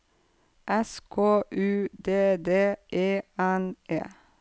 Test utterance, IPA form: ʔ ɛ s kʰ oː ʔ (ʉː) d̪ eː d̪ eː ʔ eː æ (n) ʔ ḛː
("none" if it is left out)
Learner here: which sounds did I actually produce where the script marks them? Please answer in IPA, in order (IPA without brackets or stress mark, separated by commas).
ʉː, n